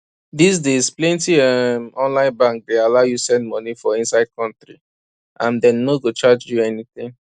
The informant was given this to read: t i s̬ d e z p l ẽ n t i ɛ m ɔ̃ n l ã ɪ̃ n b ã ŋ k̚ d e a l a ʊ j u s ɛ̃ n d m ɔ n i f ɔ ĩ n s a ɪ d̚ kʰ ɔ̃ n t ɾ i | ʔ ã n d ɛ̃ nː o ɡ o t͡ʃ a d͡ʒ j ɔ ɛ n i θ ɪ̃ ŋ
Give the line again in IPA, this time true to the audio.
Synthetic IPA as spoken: d i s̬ d e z p l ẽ n t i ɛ m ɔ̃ n l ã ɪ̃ n b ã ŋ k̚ d e a l a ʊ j u s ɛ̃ n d m ɔ n i f ɔ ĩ n s a ɪ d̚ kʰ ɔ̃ n t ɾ i | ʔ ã n d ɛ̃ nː o ɡ o t͡ʃ a d͡ʒ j u ɛ n i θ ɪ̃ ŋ